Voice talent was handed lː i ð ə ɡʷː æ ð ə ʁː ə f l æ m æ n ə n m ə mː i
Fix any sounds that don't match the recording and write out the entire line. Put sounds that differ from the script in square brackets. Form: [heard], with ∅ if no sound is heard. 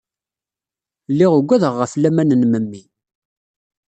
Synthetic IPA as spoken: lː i [ʁ] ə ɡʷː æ ð ə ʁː ə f l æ m æ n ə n m ə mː i